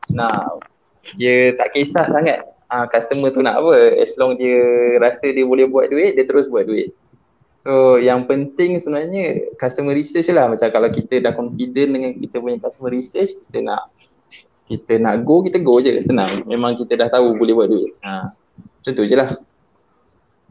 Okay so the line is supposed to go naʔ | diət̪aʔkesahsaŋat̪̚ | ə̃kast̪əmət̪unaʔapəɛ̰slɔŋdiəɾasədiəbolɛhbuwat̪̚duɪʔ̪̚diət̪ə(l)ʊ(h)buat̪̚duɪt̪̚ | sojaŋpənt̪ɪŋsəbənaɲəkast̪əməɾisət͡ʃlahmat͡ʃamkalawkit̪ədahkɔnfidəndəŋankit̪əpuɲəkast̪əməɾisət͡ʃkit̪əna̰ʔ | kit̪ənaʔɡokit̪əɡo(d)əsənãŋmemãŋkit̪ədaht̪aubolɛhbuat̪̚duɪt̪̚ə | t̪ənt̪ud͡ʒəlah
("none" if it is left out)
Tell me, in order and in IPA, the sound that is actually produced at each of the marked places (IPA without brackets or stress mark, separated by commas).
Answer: ɾ, s, d͡ʒ